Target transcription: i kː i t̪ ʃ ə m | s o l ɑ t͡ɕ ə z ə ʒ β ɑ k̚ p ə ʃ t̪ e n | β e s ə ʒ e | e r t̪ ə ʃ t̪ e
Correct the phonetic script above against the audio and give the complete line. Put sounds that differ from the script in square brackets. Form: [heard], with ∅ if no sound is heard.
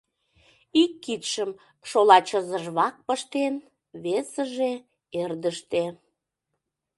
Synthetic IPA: i kː i t̪ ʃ ə m | [ʃ] o l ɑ t͡ɕ ə z ə ʒ β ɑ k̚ p ə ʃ t̪ e n | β e s ə ʒ e | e r [d̪] ə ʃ t̪ e